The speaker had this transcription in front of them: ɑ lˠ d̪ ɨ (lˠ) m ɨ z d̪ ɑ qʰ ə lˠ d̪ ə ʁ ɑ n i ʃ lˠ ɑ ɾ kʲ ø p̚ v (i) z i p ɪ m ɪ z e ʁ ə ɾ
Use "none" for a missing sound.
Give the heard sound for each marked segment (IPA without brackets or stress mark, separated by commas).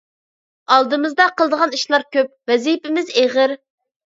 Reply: none, ɛ